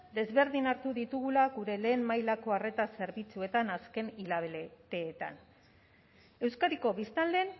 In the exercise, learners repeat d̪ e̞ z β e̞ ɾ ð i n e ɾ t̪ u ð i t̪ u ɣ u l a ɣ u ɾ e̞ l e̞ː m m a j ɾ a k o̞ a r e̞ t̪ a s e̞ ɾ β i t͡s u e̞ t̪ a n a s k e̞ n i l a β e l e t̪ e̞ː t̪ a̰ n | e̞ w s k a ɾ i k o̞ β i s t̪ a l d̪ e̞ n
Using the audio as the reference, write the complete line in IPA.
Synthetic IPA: d̪ e̞ z β e̞ ɾ ð i n a ɾ t̪ u ð i t̪ u ɣ u l a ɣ u ɾ e̞ l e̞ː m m a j l a k o̞ a r e̞ t̪ a s e̞ ɾ β i t͡s u e̞ t̪ a n a s k e̞ n i l a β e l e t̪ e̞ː t̪ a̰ n | e̞ w s k a ɾ i k o̞ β i s t̪ a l d̪ e̞ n